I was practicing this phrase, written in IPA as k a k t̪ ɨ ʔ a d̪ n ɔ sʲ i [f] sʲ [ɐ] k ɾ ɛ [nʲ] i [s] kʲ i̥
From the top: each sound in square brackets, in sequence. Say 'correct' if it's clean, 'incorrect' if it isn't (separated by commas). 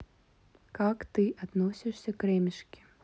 incorrect, correct, incorrect, incorrect